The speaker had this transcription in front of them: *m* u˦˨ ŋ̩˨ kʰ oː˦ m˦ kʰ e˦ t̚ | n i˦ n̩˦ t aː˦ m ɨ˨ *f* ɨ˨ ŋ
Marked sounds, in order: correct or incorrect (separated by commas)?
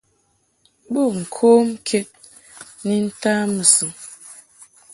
incorrect, incorrect